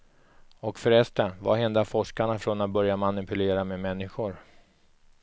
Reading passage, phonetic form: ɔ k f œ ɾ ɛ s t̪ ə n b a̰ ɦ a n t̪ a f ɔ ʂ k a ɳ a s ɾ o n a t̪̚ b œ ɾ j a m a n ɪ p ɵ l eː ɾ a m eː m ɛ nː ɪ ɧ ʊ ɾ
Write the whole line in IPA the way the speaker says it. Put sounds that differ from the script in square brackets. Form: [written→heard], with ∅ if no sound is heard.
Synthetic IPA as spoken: ɔ k f œ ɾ ɛ s t̪ ə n [b→v] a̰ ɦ [a→ɛ] n [t̪→d̪] a f ɔ ʂ k a ɳ a [s→f] ɾ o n a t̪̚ b œ ɾ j a m a n ɪ p ɵ l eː ɾ a m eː m ɛ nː ɪ ɧ ʊ ɾ